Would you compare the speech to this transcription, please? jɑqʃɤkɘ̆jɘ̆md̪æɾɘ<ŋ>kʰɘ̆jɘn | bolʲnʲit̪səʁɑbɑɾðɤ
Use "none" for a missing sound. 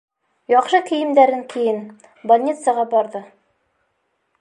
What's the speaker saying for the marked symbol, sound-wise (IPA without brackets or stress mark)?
ŋ